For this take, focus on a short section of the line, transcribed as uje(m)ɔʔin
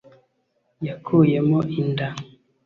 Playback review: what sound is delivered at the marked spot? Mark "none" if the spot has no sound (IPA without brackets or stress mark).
m